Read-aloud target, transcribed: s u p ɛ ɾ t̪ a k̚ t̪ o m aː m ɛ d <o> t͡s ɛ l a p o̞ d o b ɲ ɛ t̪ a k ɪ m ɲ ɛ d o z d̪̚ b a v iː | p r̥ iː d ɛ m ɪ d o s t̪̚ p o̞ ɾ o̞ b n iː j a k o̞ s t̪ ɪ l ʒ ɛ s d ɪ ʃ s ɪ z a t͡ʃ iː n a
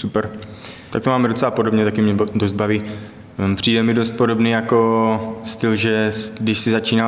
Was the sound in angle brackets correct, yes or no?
yes